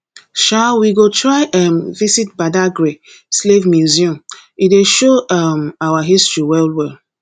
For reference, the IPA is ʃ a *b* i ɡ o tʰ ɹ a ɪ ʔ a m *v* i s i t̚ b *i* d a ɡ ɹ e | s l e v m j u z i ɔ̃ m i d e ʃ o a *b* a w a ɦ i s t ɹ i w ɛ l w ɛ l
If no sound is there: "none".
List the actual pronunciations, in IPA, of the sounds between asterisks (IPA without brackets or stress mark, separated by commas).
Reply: w, v, a, m